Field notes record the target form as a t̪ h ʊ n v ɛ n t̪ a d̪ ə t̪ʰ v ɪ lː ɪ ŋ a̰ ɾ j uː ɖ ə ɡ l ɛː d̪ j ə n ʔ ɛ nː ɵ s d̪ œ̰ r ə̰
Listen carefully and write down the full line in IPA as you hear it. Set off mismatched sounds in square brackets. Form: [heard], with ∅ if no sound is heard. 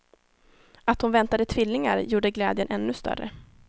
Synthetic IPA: a t̪ h ʊ n v ɛ n t̪ a d̪ ə t̪ʰ v ɪ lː ɪ ŋ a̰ ɾ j uː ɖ ə ɡ l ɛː d̪ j ə n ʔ ɛ nː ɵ s [t̪] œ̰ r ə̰